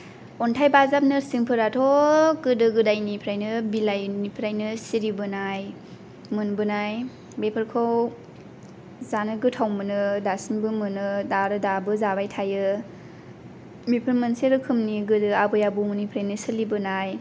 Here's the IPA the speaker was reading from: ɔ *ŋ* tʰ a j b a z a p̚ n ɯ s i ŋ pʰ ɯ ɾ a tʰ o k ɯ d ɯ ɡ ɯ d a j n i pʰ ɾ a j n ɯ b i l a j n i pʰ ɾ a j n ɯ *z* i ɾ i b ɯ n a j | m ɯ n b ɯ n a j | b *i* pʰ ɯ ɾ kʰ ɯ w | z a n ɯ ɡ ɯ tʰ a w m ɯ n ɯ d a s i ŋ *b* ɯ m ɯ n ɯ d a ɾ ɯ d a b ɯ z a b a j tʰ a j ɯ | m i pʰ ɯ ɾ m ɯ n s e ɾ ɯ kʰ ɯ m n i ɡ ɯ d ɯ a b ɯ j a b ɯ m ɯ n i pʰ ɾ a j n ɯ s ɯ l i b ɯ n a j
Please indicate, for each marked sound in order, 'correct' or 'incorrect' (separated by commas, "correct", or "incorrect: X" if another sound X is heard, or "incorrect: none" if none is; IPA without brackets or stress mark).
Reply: incorrect: n, incorrect: s, incorrect: e, correct